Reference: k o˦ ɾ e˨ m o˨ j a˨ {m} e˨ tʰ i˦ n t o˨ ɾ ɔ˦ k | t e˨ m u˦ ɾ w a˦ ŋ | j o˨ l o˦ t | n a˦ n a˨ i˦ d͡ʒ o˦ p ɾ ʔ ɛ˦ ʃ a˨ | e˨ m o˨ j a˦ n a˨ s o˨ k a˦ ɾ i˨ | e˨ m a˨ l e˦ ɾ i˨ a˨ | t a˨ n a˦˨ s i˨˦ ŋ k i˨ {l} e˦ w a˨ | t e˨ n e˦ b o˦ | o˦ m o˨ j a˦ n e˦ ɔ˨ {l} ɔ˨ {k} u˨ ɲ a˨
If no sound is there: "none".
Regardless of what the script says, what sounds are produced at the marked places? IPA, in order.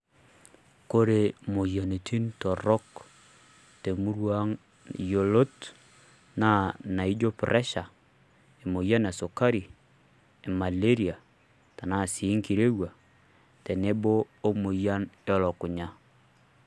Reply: n, ɾ, l, k

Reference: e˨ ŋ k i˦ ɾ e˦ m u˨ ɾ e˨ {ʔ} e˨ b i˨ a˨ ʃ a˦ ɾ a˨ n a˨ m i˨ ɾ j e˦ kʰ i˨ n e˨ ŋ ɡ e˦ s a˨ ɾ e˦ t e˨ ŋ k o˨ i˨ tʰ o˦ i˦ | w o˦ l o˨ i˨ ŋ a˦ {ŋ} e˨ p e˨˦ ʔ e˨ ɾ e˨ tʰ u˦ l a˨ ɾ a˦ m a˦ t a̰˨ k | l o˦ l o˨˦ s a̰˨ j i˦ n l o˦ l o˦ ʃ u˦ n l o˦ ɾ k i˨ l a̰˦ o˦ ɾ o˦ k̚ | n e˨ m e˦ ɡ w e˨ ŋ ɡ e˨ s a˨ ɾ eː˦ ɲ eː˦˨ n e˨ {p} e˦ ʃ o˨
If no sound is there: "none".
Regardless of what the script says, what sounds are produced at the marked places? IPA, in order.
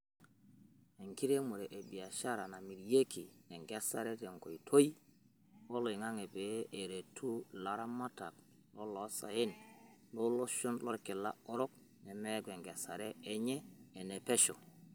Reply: ʔ, ŋ, p

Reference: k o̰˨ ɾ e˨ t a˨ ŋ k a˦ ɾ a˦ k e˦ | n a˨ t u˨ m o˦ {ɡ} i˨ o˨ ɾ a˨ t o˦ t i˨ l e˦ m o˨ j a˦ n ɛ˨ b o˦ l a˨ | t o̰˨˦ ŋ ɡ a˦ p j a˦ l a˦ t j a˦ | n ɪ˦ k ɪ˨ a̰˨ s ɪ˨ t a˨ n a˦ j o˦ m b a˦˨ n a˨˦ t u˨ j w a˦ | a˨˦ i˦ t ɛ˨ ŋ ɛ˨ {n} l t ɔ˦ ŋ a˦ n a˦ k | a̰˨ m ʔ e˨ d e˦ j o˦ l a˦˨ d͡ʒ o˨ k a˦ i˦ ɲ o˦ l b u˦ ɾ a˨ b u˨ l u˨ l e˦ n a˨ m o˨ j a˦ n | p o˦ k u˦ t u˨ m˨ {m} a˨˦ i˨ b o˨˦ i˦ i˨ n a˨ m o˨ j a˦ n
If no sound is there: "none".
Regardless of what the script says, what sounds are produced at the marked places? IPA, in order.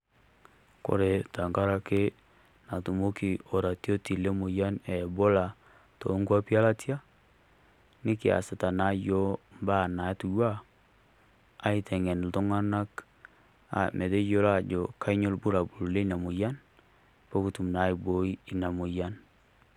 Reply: k, n, n

